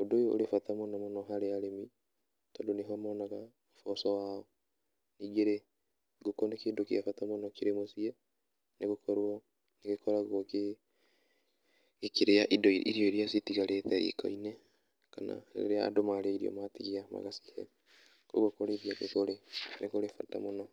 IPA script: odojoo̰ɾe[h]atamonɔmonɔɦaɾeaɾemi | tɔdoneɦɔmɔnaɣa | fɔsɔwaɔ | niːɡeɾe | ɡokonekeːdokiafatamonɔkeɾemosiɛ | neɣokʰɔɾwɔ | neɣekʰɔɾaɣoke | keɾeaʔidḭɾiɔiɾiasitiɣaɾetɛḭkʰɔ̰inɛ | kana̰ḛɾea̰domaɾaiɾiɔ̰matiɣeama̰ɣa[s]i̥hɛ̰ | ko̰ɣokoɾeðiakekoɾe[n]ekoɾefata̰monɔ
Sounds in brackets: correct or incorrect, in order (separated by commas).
incorrect, correct, correct